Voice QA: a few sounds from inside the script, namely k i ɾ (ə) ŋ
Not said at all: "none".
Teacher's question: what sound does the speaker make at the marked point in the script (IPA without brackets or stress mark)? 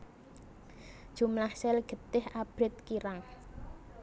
a